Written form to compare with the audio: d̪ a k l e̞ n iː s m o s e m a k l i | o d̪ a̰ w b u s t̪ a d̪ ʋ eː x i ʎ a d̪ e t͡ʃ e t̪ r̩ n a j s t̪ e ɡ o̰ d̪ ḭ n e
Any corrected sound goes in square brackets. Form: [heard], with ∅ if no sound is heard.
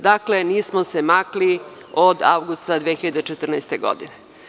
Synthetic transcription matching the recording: d̪ a k l e̞ n iː s m o s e m a k l i | o d̪ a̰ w [ɡ] u s t̪ a d̪ ʋ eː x i ʎ a d̪ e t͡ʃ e t̪ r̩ n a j s t̪ e ɡ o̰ d̪ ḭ n e